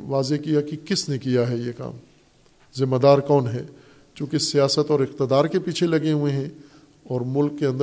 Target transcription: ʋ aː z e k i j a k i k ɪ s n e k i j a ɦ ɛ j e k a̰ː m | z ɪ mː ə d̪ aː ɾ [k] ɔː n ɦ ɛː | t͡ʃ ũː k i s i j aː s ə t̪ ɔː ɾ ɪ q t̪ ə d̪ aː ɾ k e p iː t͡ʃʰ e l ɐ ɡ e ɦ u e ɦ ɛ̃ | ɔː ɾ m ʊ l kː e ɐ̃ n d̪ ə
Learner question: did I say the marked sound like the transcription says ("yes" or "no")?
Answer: yes